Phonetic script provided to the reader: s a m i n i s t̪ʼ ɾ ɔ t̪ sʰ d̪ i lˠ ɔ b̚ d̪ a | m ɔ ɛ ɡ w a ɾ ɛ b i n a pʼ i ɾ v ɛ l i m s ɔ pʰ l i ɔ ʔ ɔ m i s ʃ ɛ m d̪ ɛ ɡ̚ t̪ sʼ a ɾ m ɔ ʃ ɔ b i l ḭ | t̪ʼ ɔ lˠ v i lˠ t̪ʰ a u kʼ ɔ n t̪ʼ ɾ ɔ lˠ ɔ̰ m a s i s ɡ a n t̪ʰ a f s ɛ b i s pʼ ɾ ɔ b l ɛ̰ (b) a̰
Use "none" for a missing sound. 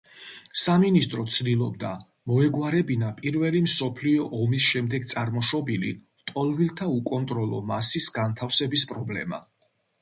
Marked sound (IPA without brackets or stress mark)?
m